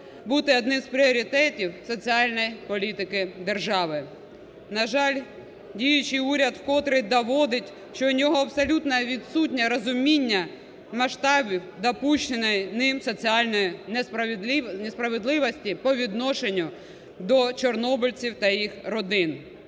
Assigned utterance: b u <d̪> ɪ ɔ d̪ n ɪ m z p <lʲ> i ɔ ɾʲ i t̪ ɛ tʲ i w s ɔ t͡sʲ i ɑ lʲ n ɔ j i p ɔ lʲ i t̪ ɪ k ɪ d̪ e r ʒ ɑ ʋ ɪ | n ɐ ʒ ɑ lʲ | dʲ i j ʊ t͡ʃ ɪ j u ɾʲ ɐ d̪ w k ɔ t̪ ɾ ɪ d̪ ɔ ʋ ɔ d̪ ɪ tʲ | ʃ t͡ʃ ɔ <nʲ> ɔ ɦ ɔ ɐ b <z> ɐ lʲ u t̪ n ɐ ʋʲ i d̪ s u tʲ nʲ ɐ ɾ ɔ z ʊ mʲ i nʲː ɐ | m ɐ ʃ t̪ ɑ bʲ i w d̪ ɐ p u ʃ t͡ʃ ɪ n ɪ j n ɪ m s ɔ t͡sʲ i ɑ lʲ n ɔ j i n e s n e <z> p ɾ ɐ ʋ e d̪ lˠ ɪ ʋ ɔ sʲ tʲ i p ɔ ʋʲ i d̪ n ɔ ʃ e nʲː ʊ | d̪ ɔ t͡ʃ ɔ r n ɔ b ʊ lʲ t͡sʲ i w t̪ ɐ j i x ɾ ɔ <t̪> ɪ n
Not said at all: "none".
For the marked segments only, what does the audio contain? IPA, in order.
t̪, ɾʲ, nʲ, s, s, d̪

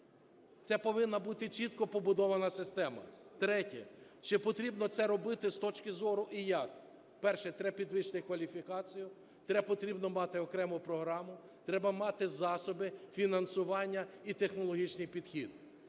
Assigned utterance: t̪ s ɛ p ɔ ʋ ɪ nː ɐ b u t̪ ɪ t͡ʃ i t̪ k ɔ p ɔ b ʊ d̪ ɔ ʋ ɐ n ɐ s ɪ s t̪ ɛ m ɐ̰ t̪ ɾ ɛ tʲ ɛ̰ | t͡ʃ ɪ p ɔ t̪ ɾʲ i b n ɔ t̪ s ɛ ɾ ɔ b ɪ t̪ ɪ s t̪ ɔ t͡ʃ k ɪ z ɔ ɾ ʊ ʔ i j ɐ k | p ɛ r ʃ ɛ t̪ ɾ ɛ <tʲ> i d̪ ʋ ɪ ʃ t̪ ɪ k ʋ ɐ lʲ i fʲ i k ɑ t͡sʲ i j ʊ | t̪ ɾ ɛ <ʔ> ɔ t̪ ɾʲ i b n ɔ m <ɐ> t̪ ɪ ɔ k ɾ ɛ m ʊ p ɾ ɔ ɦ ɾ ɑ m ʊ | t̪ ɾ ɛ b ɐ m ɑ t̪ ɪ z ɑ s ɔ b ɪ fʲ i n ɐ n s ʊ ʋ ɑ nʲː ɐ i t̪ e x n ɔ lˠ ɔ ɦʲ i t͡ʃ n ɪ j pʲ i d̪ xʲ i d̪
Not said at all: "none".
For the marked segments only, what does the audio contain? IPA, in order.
pʲ, p, ɑ

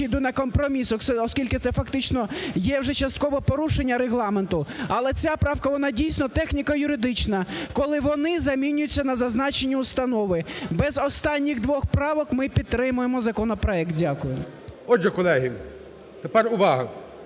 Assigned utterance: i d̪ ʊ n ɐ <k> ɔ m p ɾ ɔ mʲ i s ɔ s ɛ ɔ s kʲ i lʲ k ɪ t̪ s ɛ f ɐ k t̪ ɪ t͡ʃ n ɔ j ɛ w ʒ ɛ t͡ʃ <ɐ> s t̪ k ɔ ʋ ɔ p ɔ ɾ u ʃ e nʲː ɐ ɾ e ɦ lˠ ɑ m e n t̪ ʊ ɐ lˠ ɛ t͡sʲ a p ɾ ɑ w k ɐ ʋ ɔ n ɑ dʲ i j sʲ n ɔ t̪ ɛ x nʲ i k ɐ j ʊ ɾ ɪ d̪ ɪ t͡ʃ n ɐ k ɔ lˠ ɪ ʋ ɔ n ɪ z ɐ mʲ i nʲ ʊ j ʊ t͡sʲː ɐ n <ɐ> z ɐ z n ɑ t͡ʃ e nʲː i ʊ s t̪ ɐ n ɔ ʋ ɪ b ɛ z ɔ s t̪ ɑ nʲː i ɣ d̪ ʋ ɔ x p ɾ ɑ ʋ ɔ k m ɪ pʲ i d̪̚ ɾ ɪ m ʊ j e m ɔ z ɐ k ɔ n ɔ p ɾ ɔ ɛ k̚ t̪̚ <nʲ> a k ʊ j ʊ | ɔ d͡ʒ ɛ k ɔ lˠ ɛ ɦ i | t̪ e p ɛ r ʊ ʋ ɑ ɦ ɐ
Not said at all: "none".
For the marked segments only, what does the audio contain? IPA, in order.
k, ɐ, ɐ, dʲ

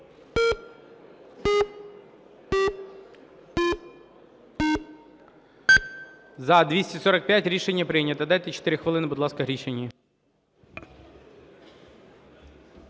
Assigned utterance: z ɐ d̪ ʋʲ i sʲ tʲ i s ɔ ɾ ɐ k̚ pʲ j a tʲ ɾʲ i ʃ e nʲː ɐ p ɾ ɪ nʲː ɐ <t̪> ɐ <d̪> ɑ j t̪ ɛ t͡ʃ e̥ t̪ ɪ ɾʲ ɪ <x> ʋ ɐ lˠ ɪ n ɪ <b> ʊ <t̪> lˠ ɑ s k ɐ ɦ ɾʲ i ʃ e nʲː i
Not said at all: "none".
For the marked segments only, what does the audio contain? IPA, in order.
t̪, d̪, x, b, d̪

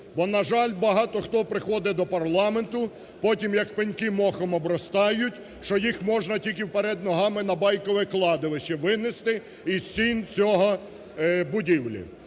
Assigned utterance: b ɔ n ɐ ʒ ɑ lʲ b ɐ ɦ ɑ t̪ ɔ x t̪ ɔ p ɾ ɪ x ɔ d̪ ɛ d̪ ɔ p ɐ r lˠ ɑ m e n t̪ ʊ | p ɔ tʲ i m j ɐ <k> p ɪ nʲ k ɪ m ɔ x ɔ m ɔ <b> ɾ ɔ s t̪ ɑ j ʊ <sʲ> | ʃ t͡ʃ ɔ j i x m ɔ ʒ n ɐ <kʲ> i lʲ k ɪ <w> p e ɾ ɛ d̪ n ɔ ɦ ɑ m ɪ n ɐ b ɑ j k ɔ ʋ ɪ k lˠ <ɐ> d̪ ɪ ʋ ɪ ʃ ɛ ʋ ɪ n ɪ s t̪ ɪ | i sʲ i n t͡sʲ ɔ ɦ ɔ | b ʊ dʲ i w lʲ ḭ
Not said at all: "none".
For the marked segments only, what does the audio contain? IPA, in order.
k, b, tʲ, tʲ, w, ɑ

